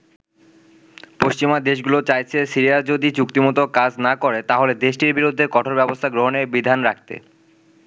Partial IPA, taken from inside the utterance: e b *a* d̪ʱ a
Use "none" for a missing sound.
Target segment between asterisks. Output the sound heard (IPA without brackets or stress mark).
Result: i